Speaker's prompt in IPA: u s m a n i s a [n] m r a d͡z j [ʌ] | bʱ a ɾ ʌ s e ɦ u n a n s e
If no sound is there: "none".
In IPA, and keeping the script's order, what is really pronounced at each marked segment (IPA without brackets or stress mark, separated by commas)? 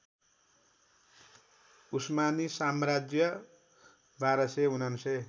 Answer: none, ʌ